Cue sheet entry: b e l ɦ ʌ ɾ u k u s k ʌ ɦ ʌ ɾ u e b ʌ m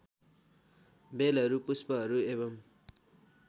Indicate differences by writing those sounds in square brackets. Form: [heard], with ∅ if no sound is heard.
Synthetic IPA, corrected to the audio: b e l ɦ ʌ ɾ u [p] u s [p] ʌ ɦ ʌ ɾ u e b ʌ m